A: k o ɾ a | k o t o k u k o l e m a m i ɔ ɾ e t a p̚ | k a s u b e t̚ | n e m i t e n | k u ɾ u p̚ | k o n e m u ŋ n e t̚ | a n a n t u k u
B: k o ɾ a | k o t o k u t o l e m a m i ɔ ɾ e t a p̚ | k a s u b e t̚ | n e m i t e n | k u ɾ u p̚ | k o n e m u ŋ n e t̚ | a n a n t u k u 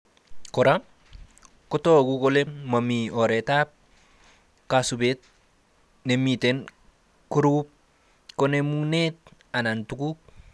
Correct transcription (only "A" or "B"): A